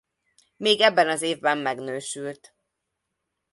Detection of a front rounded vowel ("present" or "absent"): present